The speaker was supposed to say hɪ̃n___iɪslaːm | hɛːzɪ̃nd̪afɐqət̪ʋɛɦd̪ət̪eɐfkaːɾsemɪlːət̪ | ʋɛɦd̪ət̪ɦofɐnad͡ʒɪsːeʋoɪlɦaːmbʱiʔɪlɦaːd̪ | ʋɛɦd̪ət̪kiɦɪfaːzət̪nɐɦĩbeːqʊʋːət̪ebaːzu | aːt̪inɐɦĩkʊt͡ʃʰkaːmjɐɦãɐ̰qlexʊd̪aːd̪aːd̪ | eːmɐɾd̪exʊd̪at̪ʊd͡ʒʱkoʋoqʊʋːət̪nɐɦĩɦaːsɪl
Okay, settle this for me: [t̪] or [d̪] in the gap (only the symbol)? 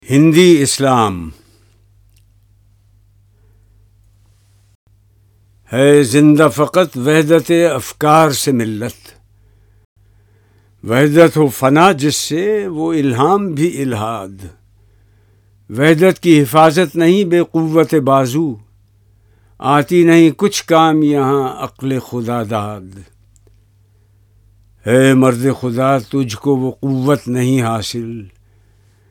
d̪